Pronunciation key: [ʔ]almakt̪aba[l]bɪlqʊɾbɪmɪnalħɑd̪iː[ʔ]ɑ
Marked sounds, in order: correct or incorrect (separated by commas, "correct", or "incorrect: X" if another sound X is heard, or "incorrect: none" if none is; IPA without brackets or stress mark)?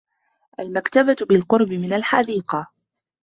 correct, incorrect: none, incorrect: q